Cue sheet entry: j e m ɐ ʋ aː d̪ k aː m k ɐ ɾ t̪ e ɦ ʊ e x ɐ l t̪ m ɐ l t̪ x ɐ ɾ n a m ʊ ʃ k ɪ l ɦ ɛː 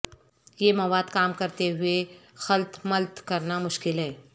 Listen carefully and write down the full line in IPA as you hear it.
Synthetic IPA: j e m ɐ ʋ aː d̪ k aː m k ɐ ɾ t̪ e ɦ ʊ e x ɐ l t̪ m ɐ l t̪ k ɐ ɾ n a m ʊ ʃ k ɪ l ɦ ɛː